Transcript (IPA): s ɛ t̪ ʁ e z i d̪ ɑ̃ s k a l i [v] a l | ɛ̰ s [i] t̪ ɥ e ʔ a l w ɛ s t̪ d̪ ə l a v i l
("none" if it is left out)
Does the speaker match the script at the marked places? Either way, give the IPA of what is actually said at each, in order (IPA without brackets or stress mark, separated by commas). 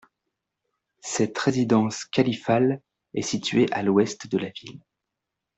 f, i